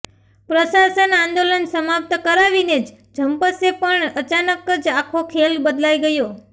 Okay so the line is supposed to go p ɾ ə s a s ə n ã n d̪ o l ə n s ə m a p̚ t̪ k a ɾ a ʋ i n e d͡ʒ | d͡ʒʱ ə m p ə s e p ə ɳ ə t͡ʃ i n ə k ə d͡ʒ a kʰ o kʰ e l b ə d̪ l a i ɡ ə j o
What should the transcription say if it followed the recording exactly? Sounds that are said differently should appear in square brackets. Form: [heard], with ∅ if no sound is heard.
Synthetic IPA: p ɾ ə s a s ə n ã n d̪ o l ə n s ə m a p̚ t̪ k [ə] ɾ a ʋ i n e d͡ʒ | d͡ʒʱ ə m p ə s e p ə ɳ ə t͡ʃ [a] n ə k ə d͡ʒ a kʰ o kʰ e l b ə d̪ l a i ɡ ə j o